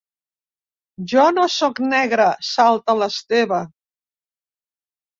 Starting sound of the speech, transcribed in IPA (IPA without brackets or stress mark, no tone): ʒ